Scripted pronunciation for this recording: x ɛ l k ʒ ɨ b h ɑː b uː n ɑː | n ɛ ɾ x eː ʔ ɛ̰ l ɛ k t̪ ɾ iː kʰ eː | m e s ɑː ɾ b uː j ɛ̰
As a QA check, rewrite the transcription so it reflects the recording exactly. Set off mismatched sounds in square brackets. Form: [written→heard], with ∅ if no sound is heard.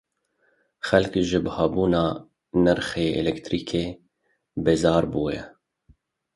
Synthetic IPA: x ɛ l k ʒ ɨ b h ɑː b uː n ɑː | n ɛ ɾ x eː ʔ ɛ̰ l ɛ k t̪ ɾ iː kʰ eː | [m→b] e [s→z] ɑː ɾ b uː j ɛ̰